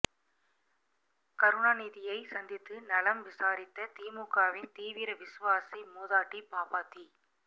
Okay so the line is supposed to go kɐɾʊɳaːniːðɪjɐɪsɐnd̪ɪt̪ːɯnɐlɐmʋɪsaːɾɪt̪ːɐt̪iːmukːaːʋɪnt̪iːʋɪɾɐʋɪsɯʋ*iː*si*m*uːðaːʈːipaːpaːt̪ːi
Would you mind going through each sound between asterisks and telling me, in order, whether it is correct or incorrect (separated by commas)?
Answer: incorrect, correct